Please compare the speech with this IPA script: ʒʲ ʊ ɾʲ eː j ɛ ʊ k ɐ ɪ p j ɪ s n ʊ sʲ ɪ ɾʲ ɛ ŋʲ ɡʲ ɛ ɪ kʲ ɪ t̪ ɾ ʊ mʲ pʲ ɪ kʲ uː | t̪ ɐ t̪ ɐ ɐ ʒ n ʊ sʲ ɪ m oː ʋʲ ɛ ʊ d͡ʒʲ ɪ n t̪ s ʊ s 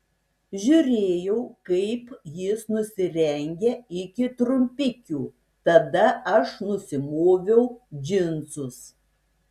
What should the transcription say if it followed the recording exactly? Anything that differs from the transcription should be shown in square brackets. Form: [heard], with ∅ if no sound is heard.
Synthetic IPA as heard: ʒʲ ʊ ɾʲ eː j ɛ ʊ k ɐ ɪ p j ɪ s n ʊ sʲ ɪ ɾʲ ɛ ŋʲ ɡʲ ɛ ɪ kʲ ɪ t̪ ɾ ʊ mʲ pʲ ɪ kʲ uː | t̪ ɐ [d̪] ɐ ɐ [ʃ] n ʊ sʲ ɪ m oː ʋʲ ɛ ʊ d͡ʒʲ ɪ n t̪ s ʊ s